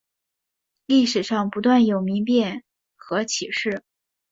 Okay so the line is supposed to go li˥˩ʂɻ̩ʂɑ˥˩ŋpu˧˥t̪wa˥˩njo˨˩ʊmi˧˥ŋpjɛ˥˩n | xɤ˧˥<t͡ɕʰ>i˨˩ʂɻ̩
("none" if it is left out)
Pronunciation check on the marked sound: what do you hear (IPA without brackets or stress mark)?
t͡ɕʰ